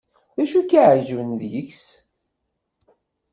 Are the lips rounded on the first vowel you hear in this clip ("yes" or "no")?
no